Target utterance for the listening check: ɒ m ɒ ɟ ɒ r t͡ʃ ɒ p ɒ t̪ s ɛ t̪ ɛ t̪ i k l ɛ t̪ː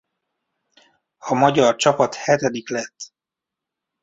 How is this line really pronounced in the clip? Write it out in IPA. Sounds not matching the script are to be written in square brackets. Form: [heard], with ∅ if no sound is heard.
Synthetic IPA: ɒ m ɒ ɟ ɒ r t͡ʃ ɒ p ɒ t̪ [h] ɛ t̪ ɛ [d̪] i k l ɛ t̪ː